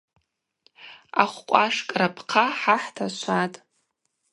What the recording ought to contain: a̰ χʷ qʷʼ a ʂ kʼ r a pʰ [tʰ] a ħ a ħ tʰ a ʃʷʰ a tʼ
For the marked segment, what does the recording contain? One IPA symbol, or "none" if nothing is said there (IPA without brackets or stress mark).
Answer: qʰ